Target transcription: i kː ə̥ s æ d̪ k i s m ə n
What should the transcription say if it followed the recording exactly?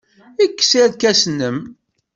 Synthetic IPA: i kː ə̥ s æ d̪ k æ s n ə m